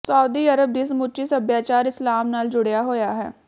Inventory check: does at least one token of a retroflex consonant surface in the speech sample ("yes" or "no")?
yes